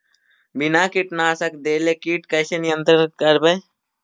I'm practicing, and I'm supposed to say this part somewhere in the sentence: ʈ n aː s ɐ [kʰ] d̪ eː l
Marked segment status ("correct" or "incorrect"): incorrect